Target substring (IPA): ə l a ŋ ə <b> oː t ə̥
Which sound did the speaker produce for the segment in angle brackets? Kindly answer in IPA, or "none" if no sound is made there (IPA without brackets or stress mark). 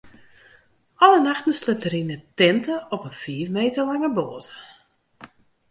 b